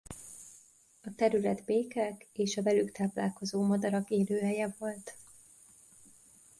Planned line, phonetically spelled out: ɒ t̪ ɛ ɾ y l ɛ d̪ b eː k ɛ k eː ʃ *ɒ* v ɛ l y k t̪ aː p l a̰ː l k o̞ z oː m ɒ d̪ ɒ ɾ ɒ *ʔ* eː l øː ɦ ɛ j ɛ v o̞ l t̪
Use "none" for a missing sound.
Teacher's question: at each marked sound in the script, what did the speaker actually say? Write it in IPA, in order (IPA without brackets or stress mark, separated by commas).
ɒ, k